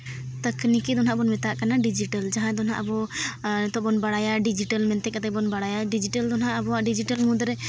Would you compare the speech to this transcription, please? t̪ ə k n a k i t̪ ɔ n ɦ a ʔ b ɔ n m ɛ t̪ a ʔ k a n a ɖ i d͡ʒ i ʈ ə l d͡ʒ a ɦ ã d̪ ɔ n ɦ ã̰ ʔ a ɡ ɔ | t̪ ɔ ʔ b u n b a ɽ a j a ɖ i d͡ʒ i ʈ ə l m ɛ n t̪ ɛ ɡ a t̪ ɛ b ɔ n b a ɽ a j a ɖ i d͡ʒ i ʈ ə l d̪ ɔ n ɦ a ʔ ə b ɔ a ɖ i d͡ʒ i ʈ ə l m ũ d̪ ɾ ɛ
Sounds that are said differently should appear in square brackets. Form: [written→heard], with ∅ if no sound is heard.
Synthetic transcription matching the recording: t̪ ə k n [a→i] k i [t̪→d̪] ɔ n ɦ a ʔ b ɔ n m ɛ t̪ a ʔ k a n a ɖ i d͡ʒ i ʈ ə l d͡ʒ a ɦ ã d̪ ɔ n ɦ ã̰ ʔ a [ɡ→b] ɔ | t̪ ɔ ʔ b [u→ɔ] n b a ɽ a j a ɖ i d͡ʒ i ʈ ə l m ɛ n t̪ ɛ [ɡ→k] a t̪ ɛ b ɔ n b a ɽ a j a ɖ i d͡ʒ i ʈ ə l d̪ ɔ n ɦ a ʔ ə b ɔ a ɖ i d͡ʒ i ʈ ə l m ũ d̪ ɾ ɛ